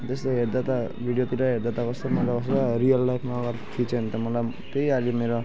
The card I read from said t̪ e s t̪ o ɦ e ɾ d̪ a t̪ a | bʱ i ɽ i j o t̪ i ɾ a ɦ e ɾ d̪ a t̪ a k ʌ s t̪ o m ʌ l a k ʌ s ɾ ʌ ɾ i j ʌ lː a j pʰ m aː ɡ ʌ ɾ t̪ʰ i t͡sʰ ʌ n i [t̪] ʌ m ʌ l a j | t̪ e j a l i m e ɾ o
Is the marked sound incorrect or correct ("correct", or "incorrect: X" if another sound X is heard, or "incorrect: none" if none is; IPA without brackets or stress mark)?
correct